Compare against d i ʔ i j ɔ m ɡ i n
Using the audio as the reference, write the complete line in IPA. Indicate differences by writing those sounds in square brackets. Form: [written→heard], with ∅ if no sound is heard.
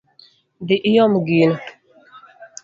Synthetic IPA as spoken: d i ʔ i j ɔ m ɡ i n

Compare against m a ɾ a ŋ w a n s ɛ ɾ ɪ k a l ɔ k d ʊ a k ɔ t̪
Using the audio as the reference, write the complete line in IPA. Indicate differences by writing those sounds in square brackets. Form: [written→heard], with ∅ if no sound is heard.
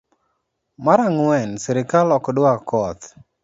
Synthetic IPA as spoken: m a ɾ a ŋ w [a→ɛ] n s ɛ ɾ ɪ k a l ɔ k d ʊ a k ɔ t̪

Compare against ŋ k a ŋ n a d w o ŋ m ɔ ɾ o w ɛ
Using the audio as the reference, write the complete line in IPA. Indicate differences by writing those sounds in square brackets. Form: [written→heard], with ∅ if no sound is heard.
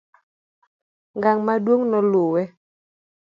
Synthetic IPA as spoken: ŋ [k→ɡ] a ŋ [n→m] a d w o ŋ [m→n] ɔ [ɾ→l] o w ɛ

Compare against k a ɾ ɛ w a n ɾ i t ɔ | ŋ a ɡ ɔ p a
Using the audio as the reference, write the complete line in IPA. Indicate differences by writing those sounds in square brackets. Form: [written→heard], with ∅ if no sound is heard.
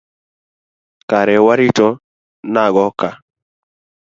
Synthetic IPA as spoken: k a ɾ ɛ w a [n→∅] ɾ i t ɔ | [ŋ→n] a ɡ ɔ [p→k] a

